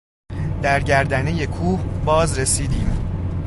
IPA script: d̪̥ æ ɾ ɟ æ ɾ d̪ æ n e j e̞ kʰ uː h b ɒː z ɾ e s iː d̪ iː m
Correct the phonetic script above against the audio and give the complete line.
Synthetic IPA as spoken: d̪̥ æ ɾ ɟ æ ɾ d̪ æ n e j e̞ kʰ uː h b ɒː z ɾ e s iː d̪ iː m

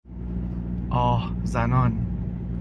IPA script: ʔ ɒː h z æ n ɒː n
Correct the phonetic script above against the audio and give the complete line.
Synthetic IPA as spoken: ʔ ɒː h z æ n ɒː n

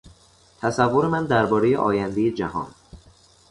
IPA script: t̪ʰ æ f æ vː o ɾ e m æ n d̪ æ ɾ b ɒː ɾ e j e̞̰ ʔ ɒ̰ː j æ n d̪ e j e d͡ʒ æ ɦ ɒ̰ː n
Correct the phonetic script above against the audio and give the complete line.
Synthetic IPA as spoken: t̪ʰ æ s æ vː o ɾ e m æ n d̪ æ ɾ b ɒː ɾ e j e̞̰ ʔ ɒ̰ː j æ n d̪ e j e d͡ʒ æ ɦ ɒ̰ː n

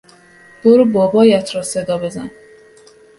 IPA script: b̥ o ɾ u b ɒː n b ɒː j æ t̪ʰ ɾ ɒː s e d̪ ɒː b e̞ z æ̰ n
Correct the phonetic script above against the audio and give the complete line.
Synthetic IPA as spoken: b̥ o ɾ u b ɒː b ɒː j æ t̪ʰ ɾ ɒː s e d̪ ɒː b e̞ z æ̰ n

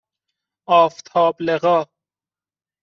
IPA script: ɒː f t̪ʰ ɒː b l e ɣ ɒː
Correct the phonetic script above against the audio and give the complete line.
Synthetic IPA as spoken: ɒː f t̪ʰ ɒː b l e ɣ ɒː

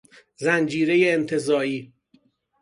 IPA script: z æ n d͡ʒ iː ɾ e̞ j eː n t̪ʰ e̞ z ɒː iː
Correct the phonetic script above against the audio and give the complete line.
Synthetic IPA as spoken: z æ n d͡ʒ iː ɾ e̞ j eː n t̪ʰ e̞ z ɒː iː

